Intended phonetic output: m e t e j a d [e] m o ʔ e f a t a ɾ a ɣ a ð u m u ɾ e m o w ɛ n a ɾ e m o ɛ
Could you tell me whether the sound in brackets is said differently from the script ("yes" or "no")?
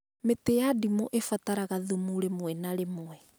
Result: yes